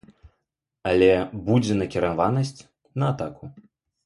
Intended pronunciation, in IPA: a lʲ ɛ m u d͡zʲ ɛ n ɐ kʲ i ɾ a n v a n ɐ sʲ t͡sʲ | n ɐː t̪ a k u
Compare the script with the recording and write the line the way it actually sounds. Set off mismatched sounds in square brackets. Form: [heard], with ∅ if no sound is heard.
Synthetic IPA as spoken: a lʲ ɛ [b] u d͡zʲ ɛ n ɐ kʲ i ɾ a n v a n ɐ sʲ t͡sʲ | n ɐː t̪ a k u